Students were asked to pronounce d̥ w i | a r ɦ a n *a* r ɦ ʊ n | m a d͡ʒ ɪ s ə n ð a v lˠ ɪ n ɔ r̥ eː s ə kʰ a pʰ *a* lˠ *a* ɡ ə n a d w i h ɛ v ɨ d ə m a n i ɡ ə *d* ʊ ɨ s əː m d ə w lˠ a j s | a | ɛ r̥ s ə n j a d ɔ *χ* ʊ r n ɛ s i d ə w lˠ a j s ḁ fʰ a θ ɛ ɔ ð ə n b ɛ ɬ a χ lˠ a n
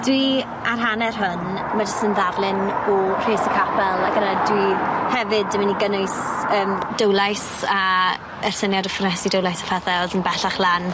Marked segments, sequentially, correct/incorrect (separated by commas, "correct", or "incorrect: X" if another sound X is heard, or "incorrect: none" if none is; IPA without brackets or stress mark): incorrect: ɛ, incorrect: ɛ, correct, incorrect: n, incorrect: f